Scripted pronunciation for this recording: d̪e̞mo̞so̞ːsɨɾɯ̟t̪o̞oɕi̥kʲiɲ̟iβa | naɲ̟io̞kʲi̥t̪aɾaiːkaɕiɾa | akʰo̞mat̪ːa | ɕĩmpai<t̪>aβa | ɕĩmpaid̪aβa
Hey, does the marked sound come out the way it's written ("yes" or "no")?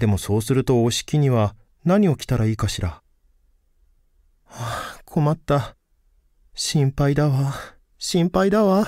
no